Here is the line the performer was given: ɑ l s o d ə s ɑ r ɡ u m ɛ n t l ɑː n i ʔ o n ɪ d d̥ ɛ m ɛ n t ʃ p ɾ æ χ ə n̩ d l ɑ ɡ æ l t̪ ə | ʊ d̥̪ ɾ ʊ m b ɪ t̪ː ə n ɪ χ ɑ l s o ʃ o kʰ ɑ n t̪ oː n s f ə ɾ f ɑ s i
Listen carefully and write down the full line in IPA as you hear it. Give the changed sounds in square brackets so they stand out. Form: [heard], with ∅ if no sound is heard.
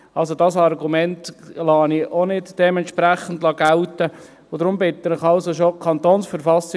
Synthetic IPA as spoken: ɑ l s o d [ɑ] s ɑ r ɡ u m ɛ n t l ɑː n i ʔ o n ɪ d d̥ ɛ m ɛ n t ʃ p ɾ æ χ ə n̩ d l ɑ ɡ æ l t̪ ə | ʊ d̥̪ ɾ ʊ m b ɪ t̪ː ə n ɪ χ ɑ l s o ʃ o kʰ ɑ n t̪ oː n s f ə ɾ f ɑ s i